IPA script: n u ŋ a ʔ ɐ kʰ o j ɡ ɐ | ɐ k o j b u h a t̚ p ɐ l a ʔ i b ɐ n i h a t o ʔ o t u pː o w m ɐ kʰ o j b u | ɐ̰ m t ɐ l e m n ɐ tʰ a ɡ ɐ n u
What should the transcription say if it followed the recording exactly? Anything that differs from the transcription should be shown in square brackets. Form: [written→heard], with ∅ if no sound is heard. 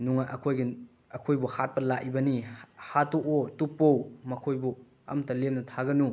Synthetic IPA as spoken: n u ŋ a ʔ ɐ kʰ o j ɡ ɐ | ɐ [k→kʰ] o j b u h a t̚ p ɐ l a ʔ i b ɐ n i h a t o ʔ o t u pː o w m ɐ kʰ o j b u | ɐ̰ m t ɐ l e m n ɐ tʰ a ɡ ɐ n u